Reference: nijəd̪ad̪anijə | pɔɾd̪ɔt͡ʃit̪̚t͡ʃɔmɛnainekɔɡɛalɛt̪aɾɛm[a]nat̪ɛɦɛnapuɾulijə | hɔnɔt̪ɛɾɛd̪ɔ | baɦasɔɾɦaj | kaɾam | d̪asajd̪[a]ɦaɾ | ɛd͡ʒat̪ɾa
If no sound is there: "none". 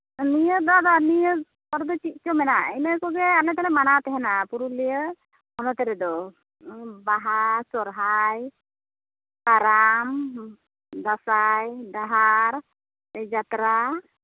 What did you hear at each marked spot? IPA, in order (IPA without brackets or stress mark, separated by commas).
a, a